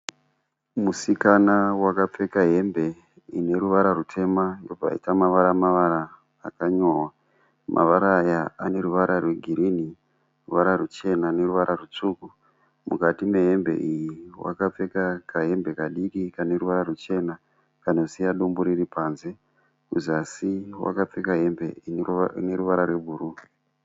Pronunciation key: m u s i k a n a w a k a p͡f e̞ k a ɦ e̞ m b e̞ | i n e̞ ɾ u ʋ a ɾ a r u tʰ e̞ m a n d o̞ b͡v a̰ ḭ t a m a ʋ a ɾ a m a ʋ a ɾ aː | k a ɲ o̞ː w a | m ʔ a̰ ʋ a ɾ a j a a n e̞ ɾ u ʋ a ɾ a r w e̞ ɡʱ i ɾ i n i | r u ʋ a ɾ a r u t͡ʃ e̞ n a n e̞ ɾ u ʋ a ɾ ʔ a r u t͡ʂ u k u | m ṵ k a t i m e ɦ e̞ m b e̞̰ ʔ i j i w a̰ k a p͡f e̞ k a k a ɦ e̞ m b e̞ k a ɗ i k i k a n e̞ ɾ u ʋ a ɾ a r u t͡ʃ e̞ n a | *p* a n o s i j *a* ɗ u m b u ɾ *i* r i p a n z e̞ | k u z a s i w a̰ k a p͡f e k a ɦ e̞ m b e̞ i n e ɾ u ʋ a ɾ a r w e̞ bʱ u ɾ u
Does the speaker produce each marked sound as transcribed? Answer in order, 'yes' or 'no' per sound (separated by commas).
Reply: no, yes, yes